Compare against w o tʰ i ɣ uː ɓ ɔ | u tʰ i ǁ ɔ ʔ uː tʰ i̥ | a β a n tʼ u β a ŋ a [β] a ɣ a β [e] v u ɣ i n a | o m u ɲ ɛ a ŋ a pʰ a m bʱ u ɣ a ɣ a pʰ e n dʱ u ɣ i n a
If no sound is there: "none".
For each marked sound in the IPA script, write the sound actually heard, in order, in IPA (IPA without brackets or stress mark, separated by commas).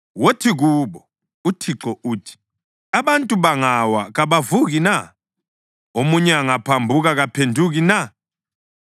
w, a